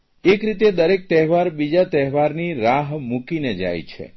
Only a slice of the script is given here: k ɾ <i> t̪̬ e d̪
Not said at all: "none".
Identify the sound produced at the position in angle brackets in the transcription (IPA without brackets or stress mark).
i